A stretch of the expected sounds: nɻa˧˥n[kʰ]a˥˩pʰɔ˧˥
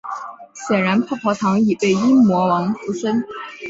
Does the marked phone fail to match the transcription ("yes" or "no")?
yes